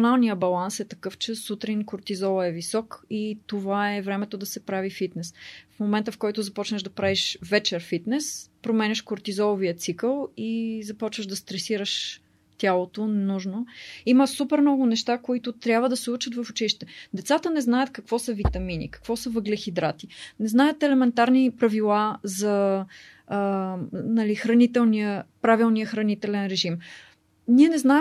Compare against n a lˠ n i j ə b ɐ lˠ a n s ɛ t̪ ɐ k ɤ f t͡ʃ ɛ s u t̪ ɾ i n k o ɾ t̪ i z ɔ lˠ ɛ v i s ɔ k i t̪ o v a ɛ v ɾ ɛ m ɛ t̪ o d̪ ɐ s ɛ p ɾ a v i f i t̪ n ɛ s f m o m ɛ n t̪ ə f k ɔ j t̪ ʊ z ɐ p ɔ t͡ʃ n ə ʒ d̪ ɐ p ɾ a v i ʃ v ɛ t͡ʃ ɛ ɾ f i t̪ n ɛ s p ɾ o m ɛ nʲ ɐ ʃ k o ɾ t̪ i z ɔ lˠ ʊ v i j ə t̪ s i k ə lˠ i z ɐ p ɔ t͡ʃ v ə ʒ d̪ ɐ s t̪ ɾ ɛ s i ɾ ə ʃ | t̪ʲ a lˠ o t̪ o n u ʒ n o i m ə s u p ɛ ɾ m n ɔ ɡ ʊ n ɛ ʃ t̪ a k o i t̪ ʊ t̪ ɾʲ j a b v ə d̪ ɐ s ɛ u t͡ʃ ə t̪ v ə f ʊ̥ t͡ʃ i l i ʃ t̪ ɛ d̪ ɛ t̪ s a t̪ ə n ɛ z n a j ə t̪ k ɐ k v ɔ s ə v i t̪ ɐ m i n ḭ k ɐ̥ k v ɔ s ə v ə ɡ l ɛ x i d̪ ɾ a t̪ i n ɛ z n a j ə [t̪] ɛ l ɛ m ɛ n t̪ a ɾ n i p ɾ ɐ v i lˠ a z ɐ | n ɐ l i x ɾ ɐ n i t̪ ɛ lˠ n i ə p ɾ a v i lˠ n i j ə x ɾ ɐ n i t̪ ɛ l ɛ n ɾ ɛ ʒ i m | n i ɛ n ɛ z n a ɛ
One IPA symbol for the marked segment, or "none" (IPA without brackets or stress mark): t̪